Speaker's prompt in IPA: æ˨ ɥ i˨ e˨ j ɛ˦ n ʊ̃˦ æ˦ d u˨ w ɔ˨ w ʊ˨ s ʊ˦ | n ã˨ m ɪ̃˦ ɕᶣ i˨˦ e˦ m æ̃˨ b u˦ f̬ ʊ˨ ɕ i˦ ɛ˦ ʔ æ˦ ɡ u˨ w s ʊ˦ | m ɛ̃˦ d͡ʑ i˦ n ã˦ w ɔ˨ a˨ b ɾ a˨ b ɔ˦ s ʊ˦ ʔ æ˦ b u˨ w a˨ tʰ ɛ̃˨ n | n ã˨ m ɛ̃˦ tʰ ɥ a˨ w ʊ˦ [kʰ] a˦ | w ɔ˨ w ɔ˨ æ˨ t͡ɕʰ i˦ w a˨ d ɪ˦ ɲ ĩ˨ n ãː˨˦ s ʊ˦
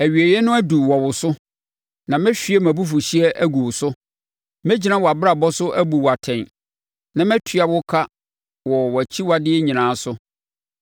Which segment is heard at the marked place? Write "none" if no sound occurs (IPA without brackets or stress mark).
kʰ